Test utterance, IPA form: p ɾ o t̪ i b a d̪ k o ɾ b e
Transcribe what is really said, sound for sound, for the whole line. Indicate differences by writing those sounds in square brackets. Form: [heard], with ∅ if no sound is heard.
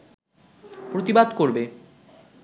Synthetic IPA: p ɾ o t̪ i b a d̪ k o ɾ b e